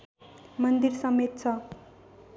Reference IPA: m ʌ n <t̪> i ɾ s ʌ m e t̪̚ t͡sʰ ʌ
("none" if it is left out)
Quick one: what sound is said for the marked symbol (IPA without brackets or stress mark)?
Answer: d̪